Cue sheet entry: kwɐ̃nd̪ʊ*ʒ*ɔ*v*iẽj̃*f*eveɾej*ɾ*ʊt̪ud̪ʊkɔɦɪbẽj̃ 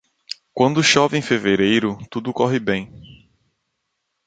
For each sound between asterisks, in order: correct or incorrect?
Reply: incorrect: ʃ, correct, correct, correct

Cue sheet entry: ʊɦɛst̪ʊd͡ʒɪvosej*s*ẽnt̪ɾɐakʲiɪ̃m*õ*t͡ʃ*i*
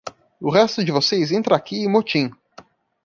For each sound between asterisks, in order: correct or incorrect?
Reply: incorrect: z, incorrect: o, incorrect: ĩ

